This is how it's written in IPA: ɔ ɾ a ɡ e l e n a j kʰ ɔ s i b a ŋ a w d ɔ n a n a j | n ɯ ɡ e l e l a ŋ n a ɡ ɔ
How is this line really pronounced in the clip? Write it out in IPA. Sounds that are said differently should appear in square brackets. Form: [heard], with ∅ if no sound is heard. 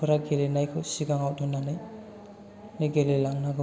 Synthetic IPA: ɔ ɾ a ɡ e l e n a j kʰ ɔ s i [ɡ] a ŋ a w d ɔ n a n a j | n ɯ ɡ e l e l a ŋ n a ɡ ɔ